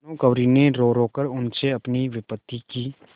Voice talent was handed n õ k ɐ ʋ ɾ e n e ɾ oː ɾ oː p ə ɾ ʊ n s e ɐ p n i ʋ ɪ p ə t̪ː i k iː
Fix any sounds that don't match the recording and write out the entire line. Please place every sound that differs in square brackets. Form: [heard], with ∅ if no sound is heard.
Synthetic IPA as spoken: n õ k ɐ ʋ ɾ [i] n e ɾ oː ɾ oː [k] ə ɾ ʊ n s e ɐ p n i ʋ ɪ p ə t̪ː i k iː